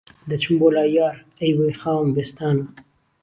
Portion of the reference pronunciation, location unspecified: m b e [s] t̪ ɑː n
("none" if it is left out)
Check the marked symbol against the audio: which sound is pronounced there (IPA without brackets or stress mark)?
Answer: s